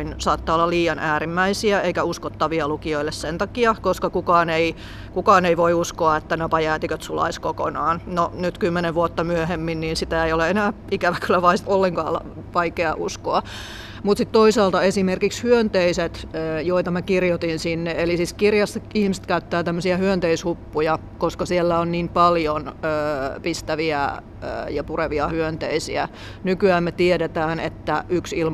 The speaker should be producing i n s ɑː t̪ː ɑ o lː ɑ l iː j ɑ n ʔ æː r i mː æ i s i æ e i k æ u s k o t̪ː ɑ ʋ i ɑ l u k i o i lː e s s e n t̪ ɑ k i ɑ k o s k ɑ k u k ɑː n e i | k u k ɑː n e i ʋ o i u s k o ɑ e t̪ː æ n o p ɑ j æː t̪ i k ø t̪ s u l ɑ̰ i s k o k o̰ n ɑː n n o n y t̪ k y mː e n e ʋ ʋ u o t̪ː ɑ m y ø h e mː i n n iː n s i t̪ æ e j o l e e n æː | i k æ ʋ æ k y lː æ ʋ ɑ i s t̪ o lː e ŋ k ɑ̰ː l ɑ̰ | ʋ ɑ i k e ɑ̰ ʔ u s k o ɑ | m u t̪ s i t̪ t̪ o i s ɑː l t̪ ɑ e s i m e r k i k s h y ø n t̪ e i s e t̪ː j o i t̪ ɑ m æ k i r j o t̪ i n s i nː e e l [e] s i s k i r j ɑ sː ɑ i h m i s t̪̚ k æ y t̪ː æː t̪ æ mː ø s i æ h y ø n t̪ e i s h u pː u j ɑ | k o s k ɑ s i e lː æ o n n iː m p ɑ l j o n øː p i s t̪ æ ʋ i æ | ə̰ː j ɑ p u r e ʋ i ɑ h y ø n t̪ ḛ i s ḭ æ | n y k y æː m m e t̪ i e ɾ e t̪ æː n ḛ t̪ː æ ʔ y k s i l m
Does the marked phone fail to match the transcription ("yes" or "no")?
yes